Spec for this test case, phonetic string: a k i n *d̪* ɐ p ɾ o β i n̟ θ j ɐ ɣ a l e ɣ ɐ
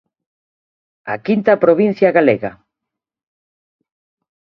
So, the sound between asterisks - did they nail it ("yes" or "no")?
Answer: no